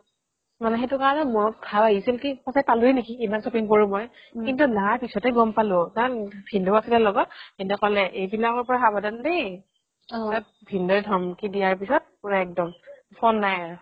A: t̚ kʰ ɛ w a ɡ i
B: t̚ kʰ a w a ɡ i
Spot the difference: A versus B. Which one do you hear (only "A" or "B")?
B